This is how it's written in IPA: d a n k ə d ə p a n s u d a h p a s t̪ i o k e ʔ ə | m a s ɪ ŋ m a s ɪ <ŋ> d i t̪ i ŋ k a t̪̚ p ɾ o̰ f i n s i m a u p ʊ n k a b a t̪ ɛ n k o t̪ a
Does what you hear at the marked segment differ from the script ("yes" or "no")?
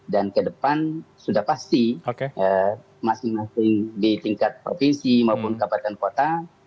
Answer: no